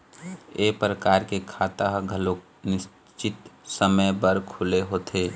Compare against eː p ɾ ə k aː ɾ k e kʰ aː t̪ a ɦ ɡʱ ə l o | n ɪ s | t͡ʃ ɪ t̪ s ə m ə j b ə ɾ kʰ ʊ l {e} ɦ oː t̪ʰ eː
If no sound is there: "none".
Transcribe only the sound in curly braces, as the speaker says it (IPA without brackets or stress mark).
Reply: e